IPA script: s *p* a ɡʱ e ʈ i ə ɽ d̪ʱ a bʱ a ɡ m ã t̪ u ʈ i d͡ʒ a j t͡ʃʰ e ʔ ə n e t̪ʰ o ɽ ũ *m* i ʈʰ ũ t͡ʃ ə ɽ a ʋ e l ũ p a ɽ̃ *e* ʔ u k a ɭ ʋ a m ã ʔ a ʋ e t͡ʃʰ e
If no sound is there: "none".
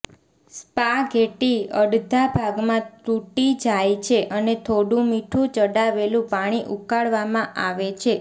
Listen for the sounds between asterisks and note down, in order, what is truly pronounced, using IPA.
p, m, i

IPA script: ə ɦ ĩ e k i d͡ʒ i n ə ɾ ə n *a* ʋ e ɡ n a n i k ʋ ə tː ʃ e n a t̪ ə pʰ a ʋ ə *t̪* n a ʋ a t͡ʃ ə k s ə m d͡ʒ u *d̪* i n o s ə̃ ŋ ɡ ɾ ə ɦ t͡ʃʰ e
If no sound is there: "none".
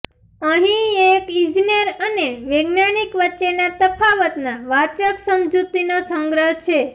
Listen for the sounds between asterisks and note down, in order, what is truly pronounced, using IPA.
e, t̪, t̪

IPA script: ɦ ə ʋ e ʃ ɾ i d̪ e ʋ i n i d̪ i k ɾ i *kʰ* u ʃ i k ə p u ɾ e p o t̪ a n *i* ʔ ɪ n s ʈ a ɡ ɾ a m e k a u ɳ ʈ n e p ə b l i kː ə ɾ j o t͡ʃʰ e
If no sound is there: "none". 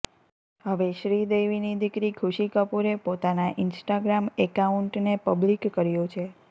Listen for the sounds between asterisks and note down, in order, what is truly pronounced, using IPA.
kʰ, a

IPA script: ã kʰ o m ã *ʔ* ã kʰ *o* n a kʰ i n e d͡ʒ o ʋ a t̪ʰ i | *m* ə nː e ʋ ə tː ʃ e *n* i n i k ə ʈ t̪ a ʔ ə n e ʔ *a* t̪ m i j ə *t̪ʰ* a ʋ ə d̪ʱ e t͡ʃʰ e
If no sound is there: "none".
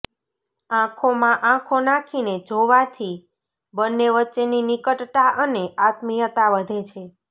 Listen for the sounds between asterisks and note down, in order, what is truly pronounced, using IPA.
ʔ, o, b, n, a, t̪

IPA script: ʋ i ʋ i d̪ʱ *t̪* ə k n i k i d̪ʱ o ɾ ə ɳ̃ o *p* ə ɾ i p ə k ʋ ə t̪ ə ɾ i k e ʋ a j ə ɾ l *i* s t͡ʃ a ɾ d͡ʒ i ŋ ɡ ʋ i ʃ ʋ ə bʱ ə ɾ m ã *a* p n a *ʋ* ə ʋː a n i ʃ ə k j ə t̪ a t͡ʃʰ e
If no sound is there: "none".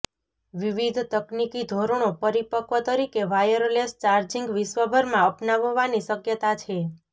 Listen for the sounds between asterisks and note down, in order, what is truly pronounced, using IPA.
t̪, p, e, ə, ʋ

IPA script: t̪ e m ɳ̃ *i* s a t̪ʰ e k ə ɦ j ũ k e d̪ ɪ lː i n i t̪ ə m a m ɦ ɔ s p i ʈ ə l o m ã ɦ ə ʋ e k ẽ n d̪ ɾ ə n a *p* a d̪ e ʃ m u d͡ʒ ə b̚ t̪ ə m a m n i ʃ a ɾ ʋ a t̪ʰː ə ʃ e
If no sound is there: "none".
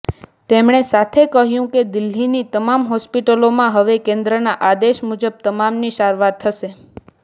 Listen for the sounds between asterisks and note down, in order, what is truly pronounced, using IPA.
e, ʔ

